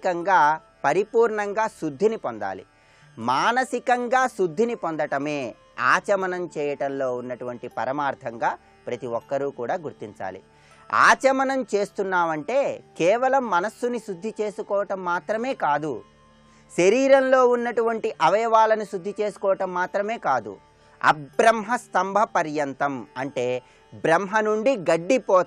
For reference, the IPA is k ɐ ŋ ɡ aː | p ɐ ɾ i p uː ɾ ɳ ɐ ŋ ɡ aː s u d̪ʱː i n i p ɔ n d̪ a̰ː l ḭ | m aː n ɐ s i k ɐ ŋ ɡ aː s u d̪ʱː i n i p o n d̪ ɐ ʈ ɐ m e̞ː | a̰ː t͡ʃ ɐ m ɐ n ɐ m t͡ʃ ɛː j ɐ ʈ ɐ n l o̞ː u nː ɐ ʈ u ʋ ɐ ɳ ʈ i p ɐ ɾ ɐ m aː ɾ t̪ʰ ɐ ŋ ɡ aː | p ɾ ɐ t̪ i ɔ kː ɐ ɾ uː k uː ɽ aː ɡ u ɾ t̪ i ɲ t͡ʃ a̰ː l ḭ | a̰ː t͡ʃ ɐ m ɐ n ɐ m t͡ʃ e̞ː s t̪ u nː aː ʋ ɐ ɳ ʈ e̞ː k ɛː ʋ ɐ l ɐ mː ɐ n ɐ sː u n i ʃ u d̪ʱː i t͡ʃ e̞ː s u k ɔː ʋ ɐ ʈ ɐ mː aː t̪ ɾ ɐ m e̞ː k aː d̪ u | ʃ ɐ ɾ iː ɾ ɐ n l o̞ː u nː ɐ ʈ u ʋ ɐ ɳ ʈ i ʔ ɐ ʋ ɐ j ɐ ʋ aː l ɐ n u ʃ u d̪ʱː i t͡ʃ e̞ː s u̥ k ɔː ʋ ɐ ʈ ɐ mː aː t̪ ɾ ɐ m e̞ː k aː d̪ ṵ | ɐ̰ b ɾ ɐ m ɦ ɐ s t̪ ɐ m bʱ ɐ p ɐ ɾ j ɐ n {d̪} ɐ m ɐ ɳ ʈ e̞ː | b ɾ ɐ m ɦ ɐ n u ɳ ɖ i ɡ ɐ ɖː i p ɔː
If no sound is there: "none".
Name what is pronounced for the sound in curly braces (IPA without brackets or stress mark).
t̪